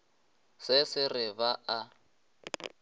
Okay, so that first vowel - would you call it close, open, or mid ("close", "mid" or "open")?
close